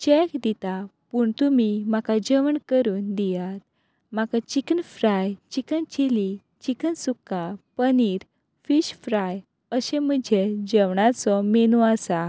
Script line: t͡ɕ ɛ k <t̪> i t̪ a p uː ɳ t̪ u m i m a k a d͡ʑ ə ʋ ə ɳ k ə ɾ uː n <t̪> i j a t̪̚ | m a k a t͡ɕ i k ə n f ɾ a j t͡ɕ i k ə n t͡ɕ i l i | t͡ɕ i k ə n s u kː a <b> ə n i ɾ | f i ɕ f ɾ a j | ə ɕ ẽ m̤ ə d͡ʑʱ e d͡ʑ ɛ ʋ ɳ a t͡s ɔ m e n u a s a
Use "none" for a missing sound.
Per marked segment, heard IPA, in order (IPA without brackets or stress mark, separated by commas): d̪, d̪, p